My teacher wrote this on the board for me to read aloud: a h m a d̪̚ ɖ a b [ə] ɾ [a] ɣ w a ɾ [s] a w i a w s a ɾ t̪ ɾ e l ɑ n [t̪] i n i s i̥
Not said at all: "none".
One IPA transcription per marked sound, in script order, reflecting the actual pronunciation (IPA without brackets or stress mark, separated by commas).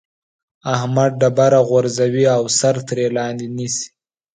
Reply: a, a, z, d̪